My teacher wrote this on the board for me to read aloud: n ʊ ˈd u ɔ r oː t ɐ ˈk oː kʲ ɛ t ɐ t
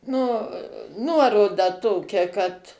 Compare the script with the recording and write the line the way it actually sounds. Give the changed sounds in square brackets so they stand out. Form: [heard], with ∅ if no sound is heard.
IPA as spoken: n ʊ [ˈn] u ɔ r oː [d] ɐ [ˈt] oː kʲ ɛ [k] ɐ t